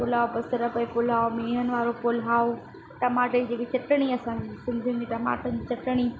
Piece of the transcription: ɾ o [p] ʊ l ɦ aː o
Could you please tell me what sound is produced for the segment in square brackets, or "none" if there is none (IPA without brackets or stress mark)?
p